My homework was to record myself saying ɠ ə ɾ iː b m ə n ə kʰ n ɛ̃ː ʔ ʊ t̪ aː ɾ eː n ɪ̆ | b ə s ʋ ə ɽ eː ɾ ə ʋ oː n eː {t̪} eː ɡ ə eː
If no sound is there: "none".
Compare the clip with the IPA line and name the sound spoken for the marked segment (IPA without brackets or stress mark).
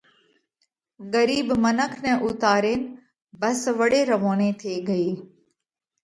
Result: t̪ʰ